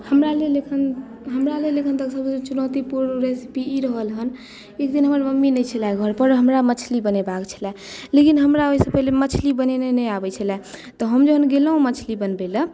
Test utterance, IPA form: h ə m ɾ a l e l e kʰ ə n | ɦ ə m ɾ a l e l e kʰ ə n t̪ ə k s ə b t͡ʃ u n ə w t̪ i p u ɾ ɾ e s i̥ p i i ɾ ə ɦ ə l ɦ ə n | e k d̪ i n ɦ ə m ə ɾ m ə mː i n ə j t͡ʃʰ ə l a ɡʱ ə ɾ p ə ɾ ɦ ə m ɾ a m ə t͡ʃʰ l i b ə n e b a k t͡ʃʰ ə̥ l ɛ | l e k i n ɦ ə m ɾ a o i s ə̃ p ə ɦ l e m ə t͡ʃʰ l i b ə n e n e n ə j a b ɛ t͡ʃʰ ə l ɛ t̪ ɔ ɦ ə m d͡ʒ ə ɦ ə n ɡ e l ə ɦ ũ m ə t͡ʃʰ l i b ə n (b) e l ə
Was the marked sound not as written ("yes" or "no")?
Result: no